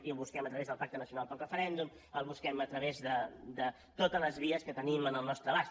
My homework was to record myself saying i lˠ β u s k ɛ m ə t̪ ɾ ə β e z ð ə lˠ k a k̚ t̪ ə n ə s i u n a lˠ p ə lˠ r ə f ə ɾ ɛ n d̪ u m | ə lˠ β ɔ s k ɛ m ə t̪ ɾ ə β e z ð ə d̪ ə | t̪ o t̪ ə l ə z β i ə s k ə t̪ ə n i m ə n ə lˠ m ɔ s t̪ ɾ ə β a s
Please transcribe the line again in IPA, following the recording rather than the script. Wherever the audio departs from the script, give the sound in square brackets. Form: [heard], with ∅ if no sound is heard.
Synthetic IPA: i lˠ β u s k ɛ m ə t̪ ɾ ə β e z ð ə lˠ [p] a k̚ t̪ ə n ə s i u n a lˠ p ə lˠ r ə f ə ɾ ɛ n d̪ u m | ə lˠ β [u] s k ɛ m ə t̪ ɾ ə β e z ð ə d̪ ə | t̪ o t̪ ə l ə z β i ə s k ə t̪ ə n i m ə n ə lˠ [n] ɔ s t̪ ɾ ə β a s